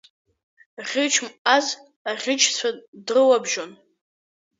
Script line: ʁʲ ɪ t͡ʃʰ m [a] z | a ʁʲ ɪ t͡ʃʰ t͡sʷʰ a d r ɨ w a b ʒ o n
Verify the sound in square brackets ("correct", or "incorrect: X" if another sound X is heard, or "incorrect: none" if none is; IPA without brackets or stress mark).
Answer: correct